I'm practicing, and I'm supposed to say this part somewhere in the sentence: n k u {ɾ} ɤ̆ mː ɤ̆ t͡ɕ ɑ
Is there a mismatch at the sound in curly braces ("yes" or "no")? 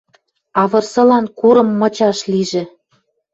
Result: no